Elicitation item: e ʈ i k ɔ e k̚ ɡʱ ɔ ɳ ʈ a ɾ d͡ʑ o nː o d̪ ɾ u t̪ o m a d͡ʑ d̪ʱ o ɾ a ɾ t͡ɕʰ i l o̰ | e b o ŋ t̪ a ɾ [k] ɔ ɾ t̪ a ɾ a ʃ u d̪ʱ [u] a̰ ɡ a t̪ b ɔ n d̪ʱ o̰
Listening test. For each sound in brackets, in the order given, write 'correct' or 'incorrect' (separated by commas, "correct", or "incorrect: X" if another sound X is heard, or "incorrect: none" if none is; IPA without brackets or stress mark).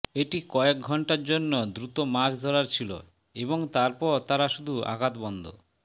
incorrect: p, correct